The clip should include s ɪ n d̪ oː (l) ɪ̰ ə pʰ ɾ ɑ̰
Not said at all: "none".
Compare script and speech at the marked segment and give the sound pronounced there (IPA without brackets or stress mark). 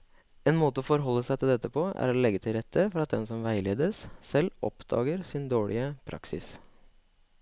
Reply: ɭ